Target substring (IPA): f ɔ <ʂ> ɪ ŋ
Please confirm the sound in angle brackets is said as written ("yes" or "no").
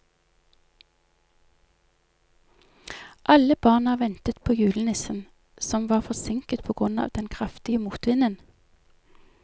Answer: no